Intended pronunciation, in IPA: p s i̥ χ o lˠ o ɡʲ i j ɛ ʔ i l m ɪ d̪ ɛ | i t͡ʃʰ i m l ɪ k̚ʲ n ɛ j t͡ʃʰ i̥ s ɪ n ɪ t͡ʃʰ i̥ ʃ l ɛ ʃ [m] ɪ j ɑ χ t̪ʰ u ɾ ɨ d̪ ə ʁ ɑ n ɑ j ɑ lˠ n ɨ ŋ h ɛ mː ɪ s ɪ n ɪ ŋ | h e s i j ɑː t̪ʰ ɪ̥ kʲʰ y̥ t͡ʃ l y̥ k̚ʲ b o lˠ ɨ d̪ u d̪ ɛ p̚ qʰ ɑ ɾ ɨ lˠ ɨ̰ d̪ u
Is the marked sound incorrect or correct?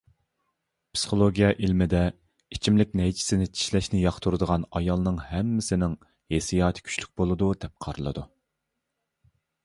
incorrect